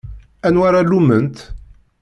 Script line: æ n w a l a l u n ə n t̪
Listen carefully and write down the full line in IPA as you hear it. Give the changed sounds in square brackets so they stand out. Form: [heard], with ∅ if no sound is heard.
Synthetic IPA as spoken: æ n w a [ɾ] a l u [m] ə n t̪